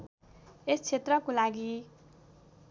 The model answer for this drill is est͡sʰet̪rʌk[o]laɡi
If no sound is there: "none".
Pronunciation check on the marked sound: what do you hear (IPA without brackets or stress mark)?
o